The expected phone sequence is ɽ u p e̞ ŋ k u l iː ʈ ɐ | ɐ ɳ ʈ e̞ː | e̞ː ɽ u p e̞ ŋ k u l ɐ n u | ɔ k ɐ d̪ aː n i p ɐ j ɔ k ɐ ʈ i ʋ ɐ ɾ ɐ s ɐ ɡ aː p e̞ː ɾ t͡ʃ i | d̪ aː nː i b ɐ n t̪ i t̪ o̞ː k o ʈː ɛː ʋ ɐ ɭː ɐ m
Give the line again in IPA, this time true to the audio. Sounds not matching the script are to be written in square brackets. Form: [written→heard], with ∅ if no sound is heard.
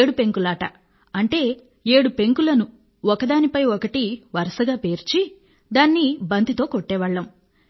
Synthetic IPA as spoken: ɽ u p e̞ ŋ k u l [iː→aː] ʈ ɐ | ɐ ɳ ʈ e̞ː | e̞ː ɽ u p e̞ ŋ k u l ɐ n u | ɔ k ɐ d̪ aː n i p ɐ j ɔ k ɐ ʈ i ʋ ɐ ɾ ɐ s ɐ ɡ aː p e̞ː ɾ t͡ʃ i | d̪ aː nː i b ɐ n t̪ i t̪ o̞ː k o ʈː ɛː ʋ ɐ ɭː ɐ m